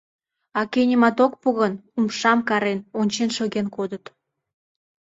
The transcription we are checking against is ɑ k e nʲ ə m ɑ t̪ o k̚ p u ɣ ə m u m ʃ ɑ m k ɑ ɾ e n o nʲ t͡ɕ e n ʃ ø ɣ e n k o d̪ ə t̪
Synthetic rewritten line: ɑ k e nʲ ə m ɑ t̪ o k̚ p u ɣ ə n u m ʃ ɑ m k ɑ ɾ e n o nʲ t͡ɕ e n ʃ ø ɣ e n k o d̪ ə t̪